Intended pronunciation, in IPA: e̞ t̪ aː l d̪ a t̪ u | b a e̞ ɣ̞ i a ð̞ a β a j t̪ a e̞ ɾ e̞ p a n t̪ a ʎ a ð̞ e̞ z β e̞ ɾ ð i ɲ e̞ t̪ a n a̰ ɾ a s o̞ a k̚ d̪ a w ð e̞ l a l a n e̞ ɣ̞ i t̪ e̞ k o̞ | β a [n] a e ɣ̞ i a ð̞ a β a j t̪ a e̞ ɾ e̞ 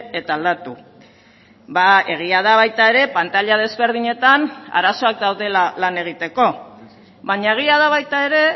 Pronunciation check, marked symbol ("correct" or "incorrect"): incorrect